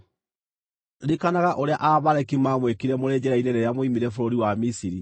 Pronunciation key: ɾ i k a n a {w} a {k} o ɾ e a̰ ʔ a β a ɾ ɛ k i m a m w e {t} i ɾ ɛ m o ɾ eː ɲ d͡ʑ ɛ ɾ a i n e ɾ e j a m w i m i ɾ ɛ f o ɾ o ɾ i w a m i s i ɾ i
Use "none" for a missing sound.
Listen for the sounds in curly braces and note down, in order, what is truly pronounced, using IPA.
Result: ɣ, ʔ, k

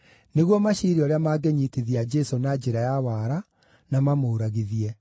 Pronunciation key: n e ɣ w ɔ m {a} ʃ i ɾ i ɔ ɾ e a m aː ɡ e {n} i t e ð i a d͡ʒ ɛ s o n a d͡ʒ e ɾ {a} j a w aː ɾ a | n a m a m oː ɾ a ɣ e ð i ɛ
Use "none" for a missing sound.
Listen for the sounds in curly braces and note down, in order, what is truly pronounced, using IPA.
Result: a, ɲ, a

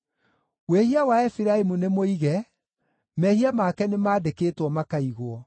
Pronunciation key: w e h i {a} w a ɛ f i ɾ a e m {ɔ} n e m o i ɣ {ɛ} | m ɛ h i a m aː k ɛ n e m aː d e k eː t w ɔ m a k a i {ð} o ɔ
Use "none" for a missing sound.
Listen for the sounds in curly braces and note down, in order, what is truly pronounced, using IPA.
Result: a, u, ɛ, ɣ

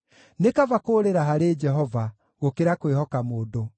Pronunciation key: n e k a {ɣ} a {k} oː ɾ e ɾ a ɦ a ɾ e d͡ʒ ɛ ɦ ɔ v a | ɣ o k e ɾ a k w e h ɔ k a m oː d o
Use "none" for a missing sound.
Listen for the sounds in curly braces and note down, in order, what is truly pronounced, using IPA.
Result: v, k

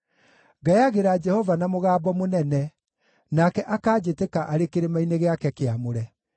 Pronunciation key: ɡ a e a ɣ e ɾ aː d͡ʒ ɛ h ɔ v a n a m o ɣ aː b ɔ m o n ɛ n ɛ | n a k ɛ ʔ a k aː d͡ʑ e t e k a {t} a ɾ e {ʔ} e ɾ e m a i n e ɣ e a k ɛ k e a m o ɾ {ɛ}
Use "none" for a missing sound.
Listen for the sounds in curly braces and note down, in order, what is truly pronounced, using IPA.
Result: ʔ, k, ɛ

